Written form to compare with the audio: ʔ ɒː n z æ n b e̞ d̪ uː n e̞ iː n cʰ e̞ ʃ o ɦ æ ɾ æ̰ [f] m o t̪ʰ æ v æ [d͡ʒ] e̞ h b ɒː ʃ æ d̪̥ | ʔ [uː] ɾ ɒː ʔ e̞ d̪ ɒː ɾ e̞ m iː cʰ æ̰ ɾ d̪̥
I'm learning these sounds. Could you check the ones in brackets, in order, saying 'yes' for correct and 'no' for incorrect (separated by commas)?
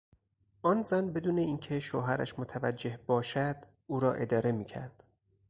no, no, yes